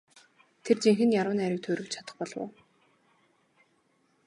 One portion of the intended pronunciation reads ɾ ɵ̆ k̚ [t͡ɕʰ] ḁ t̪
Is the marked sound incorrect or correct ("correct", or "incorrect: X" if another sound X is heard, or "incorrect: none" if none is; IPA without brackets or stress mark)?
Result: correct